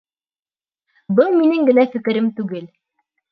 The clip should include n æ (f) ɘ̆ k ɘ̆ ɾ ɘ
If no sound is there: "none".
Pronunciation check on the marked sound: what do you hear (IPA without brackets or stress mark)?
f